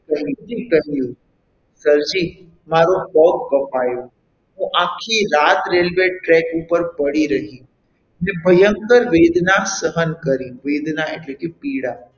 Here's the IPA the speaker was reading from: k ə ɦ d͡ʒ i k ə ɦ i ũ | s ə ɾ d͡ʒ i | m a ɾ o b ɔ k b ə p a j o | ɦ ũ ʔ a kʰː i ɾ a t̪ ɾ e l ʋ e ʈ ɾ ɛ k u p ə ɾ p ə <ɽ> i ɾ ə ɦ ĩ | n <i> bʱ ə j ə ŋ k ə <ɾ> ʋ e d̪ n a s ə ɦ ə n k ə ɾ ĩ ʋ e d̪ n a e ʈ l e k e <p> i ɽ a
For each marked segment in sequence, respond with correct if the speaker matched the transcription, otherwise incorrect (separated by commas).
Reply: correct, incorrect, correct, correct